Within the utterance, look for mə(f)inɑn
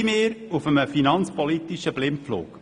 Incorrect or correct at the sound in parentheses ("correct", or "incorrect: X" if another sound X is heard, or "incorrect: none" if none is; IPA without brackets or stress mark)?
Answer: correct